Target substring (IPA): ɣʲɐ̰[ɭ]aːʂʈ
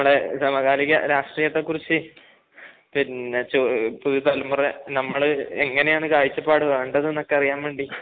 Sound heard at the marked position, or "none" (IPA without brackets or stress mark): ɾ